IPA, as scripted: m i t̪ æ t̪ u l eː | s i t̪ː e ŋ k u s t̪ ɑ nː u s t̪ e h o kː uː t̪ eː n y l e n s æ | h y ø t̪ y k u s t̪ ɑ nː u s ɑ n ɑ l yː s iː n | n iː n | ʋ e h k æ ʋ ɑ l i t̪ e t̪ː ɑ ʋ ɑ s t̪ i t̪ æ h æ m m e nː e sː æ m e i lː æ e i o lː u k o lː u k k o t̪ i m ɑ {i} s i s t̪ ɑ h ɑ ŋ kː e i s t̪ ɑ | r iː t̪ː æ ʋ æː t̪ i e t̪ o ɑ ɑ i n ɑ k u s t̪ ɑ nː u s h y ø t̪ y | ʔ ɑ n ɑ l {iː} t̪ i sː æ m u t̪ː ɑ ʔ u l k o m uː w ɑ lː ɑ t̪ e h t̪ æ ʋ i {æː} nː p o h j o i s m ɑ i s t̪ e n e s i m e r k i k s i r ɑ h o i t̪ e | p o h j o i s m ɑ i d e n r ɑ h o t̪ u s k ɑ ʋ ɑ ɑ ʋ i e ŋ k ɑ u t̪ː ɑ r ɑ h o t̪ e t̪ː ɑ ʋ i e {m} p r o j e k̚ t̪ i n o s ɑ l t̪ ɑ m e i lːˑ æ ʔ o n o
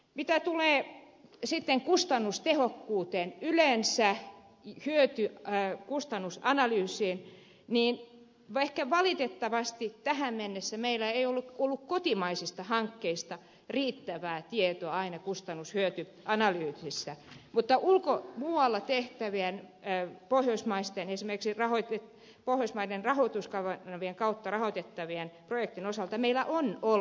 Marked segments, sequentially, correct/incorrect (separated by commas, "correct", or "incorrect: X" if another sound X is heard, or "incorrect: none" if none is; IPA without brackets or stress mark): correct, incorrect: yː, incorrect: æ, incorrect: n